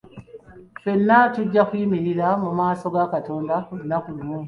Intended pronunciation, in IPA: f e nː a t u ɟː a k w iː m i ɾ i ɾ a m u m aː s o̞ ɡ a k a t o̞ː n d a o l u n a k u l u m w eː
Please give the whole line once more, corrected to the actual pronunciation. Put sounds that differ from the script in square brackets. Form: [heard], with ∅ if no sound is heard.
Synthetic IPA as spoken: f e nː a t u ɟː a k w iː m i ɾ i ɾ a m u m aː s o̞ ɡ a k a t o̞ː n d a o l u n a k u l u m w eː